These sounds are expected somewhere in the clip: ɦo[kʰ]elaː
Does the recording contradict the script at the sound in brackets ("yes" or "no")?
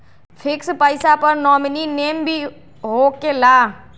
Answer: yes